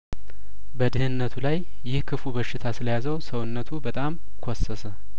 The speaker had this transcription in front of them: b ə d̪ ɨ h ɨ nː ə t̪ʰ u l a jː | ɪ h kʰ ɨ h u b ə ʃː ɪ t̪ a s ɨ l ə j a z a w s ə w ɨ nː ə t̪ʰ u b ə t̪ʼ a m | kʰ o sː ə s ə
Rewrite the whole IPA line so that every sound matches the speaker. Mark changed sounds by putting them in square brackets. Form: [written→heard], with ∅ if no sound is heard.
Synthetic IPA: b ə d̪ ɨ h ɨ nː ə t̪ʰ u l a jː | ɪ h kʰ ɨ [h→f] u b ə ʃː ɪ [t̪→t̪ʰ] a s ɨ l ə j a z [a→ə] w s ə w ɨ nː ə t̪ʰ u b ə t̪ʼ a m | kʰ o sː ə s ə